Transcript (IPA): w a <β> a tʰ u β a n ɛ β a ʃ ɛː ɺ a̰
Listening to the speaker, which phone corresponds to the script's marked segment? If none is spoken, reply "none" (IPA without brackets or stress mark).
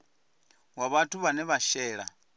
β